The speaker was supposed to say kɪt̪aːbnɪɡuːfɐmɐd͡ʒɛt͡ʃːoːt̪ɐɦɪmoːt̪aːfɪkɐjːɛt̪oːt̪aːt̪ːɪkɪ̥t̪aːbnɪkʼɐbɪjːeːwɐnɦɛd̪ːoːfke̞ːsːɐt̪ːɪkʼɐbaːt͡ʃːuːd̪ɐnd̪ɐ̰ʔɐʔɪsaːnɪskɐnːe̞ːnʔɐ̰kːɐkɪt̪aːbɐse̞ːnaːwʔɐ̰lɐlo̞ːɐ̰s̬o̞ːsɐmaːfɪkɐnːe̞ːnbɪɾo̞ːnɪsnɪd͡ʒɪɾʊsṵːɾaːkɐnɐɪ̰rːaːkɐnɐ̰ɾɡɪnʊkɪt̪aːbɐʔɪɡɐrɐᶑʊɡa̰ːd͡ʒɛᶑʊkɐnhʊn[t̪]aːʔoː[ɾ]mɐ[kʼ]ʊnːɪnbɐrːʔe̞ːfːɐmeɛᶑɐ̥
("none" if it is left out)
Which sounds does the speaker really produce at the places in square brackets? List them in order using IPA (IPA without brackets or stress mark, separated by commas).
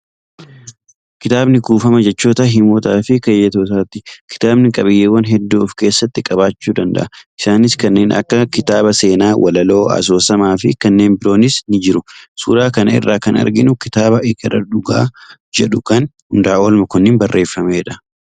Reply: d̪, l, k